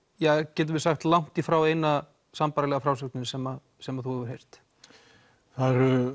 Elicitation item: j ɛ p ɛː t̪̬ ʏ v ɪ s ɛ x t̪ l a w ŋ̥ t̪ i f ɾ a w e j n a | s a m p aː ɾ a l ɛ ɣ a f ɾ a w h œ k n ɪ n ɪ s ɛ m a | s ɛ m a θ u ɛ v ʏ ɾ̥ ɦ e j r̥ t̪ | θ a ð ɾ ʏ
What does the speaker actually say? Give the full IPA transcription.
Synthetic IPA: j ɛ c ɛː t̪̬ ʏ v ɪ s a x t̪ l a w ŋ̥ t̪ i f ɾ a w e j n a | s a m p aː ɾ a l ɛ ɣ a f ɾ a w s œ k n ɪ n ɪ s ɛ m a | s ɛ m a θ u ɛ v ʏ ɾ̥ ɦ e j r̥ t̪ | θ a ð ɾ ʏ

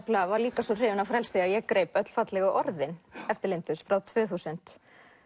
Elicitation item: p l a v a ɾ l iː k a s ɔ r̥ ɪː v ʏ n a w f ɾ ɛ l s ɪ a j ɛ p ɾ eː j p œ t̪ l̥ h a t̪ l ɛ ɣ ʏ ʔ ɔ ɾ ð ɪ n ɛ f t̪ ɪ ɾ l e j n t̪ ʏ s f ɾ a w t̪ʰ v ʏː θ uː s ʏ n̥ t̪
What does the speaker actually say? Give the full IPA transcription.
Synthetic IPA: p l a v a ɾ l iː k a s ɔ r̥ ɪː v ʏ n a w f ɾ ɛ l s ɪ a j ɛ k ɾ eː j p œ t̪ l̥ f a t̪ l ɛ ɣ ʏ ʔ ɔ ɾ ð ɪ n ɛ f t̪ ɪ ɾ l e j n t̪ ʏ s f ɾ a w t̪ʰ v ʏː θ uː s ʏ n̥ t̪

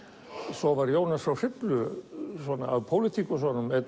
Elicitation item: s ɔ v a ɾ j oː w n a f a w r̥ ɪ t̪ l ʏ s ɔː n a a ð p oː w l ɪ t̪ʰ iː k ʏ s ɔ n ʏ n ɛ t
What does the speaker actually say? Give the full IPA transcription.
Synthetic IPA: s ɔ v a ɾ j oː w n a s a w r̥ ɪ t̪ l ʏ s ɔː n a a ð pʰ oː w l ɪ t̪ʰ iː k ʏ s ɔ n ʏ m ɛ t

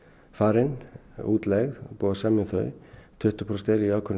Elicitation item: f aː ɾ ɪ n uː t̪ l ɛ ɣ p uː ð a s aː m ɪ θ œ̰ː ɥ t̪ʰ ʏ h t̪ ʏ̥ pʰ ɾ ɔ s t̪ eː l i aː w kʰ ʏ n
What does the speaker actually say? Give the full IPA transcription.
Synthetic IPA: f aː ɾ ɪ n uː t̪ l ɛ ɣ p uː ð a s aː m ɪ θ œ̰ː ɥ t̪ʰ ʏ h t̪ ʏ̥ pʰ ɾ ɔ s t̪ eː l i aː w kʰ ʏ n

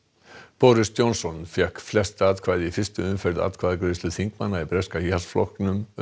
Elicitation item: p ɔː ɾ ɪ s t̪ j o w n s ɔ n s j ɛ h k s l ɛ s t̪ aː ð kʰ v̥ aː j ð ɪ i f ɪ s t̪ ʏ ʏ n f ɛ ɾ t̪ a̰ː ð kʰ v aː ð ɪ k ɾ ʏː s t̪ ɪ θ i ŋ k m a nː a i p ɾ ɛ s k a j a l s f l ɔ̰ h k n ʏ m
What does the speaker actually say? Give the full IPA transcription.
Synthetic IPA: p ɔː ɾ ɪ s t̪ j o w n s ɔ n f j ɛ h k f l ɛ s t̪ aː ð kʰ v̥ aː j ð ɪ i f ɪ s t̪ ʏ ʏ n f ɛ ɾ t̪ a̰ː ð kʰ v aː ð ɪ k ɾ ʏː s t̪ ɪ θ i ŋ k m a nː a i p ɾ ɛ s k a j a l s f l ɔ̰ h k n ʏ m

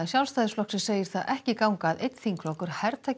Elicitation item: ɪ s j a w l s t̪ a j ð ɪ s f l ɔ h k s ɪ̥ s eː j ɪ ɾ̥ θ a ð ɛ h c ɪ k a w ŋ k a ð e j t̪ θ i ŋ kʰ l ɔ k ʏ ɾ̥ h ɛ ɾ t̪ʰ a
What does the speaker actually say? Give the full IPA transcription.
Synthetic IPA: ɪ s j a w l s t̪ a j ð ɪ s f l ɔ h k s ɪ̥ s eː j ɪ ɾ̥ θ a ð ɛ h c ɪ k a w ŋ k a ð e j t̪ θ i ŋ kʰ l ɔ k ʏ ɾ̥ h ɛ ɾ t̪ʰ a

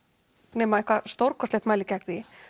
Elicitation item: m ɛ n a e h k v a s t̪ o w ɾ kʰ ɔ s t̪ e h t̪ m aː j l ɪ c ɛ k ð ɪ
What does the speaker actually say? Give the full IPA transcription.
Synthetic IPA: n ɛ m a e h k v a s t̪ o w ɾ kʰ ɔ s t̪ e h t̪ m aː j l ɪ c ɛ k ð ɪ

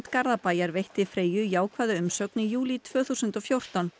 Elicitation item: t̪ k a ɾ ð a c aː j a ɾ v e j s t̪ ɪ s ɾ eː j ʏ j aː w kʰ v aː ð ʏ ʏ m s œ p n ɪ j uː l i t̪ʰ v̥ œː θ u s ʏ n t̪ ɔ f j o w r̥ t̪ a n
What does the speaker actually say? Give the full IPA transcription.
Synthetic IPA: t̪ k a ɾ ð a p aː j a ɾ v e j h t̪ ɪ f ɾ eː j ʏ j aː w kʰ v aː ð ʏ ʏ m s œ k n ɪ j uː l i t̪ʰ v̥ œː θ u s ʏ n t̪ ɔ f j o w r̥ t̪ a n

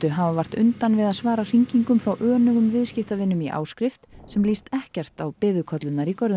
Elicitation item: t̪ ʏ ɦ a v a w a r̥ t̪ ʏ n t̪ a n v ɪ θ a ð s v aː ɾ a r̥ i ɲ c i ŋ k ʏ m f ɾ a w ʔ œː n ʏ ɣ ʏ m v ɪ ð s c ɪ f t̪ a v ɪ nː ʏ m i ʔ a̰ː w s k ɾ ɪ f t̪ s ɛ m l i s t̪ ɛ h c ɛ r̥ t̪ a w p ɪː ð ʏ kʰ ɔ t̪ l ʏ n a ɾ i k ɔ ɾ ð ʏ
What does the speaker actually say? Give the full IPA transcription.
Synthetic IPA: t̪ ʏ ɦ a v a v a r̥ t̪ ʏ n t̪ a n v ɪ ð a ð s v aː ɾ a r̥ i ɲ c i ŋ k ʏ m f ɾ a w ʔ œː n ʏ ɣ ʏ m v ɪ ð s c ɪ f t̪ a v ɪ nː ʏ m i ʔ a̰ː w s k ɾ ɪ f t̪ s ɛ m l i s t̪ ɛ h c ɛ r̥ t̪ a w p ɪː ð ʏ kʰ ɔ t̪ l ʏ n a ɾ i k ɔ ɾ ð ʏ

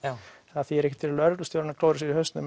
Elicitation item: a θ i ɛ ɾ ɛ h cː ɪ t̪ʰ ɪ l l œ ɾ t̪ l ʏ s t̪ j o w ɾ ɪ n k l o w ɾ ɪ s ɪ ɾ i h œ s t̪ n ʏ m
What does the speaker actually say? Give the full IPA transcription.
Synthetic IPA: a θ i ɛ ɾ ɛ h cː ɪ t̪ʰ ɪ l l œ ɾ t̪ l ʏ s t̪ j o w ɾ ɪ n k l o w ɾ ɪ s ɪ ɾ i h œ s t̪ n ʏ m

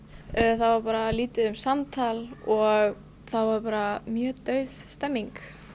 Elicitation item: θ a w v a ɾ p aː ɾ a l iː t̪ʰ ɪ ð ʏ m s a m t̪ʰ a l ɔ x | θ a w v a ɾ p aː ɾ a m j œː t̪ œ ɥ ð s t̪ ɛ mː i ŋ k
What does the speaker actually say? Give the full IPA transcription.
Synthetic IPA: θ a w v a ɾ p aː ɾ a l iː t̪ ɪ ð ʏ m s a m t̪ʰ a l ɔ ɣ | θ a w v a ɾ p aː ɾ a m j œː t̪ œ ɥ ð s t̪ ɛ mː i ŋ k

